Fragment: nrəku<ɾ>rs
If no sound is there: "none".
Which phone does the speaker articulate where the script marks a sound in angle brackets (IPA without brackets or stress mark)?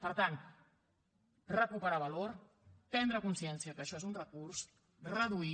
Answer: none